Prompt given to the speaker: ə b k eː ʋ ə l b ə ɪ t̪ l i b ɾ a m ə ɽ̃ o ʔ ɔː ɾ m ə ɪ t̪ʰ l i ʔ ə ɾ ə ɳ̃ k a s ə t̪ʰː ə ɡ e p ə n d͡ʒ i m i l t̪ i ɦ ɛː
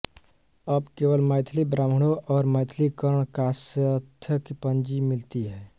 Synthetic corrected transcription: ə b k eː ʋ ə l m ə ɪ t̪ʰ l i b ɾ a m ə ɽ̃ o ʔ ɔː ɾ m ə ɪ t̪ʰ l i k ə ɾ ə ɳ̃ k a s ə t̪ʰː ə k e p ə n d͡ʒ i m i l t̪ i ɦ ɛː